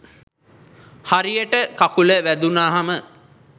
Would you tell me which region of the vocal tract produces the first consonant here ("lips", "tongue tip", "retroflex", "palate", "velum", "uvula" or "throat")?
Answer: throat